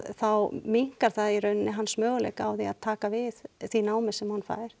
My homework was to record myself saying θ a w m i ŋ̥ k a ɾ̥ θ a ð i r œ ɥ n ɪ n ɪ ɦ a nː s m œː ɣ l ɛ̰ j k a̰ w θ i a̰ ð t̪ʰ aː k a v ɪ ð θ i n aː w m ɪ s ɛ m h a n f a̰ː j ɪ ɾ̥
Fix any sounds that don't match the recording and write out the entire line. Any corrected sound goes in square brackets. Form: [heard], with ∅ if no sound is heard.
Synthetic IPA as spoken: θ a w m i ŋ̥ k a ɾ̥ θ a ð i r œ ɥ n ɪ n ɪ ɦ a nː s m œː ɣ l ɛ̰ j k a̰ w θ i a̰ ð t̪ʰ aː k a v ɪ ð θ i n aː w m ɪ s ɛ m h a n f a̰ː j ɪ ɾ̥